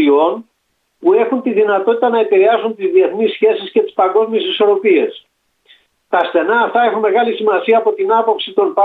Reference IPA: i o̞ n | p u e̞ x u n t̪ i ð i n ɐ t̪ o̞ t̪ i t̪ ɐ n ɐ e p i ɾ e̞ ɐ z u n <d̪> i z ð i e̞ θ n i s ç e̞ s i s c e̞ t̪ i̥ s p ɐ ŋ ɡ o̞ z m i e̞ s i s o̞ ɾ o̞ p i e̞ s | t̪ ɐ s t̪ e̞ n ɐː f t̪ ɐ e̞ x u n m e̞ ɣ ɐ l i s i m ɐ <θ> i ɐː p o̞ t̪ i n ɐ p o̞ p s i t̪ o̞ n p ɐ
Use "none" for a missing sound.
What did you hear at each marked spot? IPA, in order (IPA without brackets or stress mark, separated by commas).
t̪, s